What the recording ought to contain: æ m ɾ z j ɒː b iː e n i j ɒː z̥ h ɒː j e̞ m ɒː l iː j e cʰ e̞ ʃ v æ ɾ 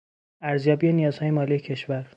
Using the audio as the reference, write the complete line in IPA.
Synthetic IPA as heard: æ ɾ z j ɒː b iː e n i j ɒː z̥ h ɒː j e̞ m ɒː l i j e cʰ e̞ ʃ v æ ɾ